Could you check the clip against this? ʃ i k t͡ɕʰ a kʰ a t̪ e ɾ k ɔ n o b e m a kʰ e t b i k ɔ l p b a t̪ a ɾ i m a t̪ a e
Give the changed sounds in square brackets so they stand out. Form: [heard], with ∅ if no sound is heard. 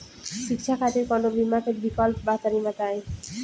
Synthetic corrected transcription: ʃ i k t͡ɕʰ a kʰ a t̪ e ɾ k ɔ n o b [i] m a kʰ e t b i k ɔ l p b a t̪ a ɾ i m a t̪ a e